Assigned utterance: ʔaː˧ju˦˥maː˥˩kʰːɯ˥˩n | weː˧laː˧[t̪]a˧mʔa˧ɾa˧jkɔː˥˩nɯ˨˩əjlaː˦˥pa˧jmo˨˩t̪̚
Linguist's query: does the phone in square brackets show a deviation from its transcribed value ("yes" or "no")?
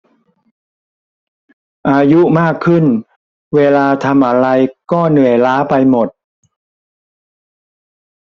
yes